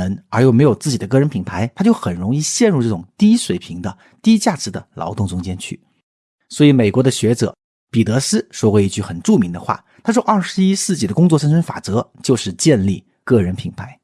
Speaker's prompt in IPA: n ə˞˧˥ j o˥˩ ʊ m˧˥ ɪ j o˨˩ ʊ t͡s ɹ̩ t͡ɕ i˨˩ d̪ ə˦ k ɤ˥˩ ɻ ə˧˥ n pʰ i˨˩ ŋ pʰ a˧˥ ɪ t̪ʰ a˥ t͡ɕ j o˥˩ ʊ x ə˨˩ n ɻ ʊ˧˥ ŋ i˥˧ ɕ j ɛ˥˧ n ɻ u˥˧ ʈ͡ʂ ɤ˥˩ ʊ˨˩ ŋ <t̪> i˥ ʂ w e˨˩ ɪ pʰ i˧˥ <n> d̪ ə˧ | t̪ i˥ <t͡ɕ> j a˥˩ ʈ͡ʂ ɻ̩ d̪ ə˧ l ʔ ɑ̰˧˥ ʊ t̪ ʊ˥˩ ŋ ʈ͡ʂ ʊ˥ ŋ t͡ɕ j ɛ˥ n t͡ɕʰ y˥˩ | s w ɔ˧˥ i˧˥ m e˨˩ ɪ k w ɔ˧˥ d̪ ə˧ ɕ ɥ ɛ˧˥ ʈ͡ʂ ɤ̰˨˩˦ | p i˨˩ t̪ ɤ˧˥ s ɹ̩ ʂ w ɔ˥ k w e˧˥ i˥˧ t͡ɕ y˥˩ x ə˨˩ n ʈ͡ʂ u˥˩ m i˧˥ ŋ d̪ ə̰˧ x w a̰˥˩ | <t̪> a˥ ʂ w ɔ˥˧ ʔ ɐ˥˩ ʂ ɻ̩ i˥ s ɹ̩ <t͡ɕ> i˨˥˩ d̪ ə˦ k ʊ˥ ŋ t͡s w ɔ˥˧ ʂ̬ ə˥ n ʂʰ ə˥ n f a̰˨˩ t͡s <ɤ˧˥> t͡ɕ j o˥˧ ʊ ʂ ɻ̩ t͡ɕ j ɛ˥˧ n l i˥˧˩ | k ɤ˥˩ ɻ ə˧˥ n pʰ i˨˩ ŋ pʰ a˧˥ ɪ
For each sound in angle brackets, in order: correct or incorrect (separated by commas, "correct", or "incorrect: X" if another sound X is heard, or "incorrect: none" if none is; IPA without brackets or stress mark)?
correct, incorrect: ŋ, correct, incorrect: t̪ʰ, correct, correct